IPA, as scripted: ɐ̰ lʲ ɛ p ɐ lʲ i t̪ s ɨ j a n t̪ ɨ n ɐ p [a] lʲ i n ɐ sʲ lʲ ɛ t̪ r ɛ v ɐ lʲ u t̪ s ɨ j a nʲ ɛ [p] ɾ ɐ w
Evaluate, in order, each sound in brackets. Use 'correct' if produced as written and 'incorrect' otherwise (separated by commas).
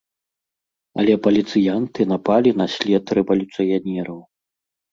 correct, incorrect